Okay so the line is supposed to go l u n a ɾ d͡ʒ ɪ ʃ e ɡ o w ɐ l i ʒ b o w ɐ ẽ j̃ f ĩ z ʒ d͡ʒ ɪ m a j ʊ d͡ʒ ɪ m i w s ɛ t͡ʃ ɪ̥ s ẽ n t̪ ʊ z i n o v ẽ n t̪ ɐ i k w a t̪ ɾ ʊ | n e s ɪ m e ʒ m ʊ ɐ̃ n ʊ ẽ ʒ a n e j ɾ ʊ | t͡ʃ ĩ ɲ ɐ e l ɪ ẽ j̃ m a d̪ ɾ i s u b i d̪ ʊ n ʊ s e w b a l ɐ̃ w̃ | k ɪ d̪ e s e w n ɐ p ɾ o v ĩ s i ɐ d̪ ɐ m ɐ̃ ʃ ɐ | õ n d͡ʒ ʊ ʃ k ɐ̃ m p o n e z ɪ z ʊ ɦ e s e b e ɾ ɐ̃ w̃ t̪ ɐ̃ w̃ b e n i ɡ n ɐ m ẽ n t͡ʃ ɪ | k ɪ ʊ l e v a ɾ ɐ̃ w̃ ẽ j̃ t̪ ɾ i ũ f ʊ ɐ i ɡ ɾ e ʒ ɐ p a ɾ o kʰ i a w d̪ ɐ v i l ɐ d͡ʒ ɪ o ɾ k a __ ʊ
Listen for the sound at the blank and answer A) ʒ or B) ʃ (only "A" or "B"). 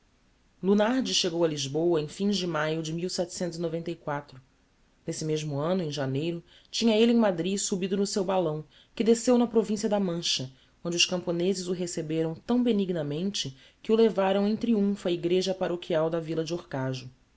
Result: A